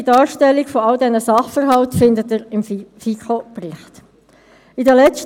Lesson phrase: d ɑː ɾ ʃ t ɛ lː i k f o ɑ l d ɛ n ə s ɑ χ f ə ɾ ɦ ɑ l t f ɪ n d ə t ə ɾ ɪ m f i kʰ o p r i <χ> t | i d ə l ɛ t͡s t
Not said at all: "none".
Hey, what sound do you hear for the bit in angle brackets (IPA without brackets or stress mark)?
χ